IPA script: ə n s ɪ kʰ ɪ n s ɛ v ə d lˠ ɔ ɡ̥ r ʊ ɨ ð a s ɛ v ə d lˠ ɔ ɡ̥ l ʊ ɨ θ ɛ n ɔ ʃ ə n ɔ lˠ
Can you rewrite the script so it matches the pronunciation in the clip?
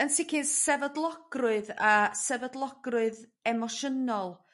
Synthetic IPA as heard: ə n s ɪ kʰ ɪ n s ɛ v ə d lˠ ɔ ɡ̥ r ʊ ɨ ð a s ɛ v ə d lˠ ɔ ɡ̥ r ʊ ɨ ð ɛ m ɔ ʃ ə n ɔ lˠ